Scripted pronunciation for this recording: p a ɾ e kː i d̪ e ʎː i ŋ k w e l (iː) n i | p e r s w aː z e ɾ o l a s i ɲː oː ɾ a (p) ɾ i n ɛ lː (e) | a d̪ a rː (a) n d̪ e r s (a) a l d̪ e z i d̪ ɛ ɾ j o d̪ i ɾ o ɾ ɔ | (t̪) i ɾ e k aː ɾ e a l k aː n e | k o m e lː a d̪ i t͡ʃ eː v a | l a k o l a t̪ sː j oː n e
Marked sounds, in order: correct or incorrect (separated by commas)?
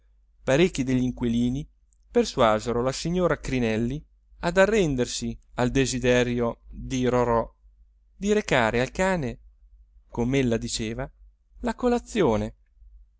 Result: correct, incorrect, incorrect, incorrect, incorrect, incorrect